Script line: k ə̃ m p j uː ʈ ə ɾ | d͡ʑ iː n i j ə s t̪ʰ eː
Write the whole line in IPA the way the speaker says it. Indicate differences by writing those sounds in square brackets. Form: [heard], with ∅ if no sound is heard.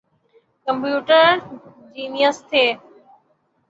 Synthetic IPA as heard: k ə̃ m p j uː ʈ ə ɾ | d͡ʑ iː n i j ə s t̪ʰ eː